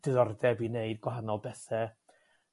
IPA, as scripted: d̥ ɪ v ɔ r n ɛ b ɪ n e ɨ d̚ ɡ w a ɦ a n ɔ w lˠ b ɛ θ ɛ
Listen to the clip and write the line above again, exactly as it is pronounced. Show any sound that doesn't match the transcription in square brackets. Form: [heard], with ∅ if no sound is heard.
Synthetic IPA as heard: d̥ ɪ [ð] ɔ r [d] ɛ b [i] n e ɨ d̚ ɡ w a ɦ a n ɔ [∅] lˠ b ɛ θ ɛ